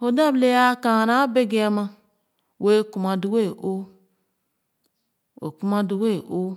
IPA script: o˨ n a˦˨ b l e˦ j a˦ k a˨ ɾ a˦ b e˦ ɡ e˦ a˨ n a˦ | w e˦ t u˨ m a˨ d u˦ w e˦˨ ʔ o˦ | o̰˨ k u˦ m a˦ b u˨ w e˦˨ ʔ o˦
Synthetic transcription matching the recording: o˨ d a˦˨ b l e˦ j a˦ k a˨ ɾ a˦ b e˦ ɡ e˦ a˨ m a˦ | w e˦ k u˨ m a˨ d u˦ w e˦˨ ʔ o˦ | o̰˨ k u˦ m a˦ d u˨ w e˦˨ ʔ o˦